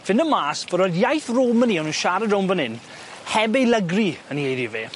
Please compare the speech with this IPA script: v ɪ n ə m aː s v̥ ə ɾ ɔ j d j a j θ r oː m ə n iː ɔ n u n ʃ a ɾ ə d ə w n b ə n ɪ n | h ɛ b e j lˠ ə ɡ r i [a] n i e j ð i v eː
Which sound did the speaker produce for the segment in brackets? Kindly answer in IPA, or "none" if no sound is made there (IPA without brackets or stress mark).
ə